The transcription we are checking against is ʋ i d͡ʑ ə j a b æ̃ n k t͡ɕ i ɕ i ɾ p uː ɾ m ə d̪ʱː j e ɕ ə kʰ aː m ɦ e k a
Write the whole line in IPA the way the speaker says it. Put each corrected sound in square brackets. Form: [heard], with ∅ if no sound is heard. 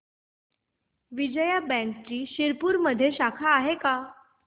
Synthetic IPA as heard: ʋ i d͡ʑ ə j a b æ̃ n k t͡ɕ [iː] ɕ i ɾ p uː ɾ m ə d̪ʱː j e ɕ [a] kʰ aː [∅] ɦ e k a